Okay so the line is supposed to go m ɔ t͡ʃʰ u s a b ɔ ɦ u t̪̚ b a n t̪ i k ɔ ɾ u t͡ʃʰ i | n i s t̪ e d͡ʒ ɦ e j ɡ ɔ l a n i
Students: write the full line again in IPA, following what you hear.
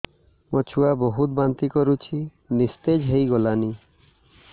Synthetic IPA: m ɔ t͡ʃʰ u a b ɔ ɦ u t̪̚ b a n t̪ i k ɔ ɾ u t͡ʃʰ i | n i s t̪ e d͡ʒ ɦ e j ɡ ɔ l a n i